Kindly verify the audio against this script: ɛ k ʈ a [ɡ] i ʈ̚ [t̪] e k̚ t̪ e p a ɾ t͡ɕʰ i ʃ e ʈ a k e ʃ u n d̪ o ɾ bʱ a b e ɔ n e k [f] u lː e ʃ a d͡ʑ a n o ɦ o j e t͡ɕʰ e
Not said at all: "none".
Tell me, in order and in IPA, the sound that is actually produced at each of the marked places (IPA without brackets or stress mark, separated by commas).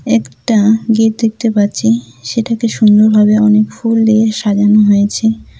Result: ɡ, d̪, f